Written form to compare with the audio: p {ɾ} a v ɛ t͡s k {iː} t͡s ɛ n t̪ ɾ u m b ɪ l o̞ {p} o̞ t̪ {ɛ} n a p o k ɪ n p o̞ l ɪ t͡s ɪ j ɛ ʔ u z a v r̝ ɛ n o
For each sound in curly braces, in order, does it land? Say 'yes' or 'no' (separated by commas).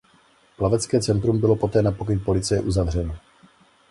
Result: no, no, yes, no